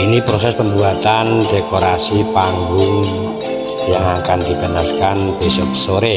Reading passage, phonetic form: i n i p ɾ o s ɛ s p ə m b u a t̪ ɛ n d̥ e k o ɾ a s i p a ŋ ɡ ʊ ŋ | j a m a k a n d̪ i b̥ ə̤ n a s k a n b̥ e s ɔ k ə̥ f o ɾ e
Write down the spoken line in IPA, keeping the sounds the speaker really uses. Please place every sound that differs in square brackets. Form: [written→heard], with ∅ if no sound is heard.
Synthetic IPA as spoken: i n i p ɾ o s ɛ s p ə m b u a t̪ [ɛ→a] n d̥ e k o ɾ a s i p a ŋ ɡ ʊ ŋ | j a [m→ŋ] a k a n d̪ i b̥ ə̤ n a s k a n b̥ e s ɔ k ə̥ [f→s] o ɾ e